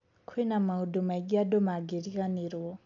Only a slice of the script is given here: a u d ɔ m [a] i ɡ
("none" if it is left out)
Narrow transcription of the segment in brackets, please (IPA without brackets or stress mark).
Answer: a